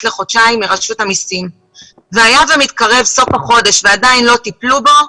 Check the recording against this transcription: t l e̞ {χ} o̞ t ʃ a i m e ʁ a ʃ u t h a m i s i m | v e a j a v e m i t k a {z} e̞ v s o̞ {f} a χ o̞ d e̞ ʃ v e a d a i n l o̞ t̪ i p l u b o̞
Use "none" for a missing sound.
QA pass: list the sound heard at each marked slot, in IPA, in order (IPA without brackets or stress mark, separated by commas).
χ, ʁ, f